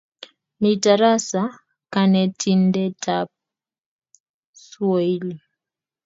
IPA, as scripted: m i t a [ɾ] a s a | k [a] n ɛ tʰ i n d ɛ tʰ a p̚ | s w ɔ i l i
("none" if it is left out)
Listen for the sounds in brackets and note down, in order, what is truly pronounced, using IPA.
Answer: ɾ, a

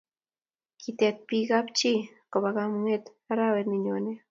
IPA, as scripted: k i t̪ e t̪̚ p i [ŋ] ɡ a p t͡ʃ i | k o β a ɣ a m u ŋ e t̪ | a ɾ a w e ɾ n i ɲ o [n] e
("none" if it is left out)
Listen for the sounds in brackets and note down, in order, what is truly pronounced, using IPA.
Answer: none, n

